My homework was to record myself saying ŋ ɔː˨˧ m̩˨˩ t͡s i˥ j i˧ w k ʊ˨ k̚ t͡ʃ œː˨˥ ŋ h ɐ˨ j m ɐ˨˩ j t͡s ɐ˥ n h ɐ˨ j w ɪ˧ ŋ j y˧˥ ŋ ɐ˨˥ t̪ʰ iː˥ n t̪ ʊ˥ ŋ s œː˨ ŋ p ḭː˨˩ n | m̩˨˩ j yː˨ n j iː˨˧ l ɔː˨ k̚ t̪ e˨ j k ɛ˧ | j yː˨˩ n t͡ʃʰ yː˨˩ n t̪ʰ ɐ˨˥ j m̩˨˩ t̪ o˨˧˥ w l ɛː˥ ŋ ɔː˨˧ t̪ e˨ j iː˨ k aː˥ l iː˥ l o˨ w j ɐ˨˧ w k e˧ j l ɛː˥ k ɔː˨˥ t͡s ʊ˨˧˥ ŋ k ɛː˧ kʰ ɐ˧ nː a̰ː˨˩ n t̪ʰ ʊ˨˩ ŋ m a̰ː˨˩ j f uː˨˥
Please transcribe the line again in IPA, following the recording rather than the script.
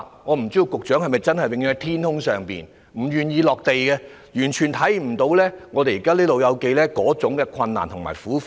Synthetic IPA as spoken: ŋ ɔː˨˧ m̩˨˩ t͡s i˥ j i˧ w k ʊ˨ k̚ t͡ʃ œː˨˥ ŋ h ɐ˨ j m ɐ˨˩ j t͡s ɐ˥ n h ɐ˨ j w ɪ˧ ŋ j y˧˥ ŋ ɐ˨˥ t̪ʰ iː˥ n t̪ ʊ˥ ŋ s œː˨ ŋ p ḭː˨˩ n | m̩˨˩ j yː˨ n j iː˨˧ l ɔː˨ k̚ t̪ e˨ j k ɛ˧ | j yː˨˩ n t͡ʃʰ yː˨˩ n t̪ʰ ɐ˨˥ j m̩˨˩ t̪ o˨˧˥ w l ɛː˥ ŋ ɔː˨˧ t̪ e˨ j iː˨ k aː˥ l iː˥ l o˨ w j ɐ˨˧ w k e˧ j l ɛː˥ k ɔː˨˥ t͡s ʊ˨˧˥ ŋ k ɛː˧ kʰ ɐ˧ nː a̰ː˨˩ n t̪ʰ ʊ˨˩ ŋ m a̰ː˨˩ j f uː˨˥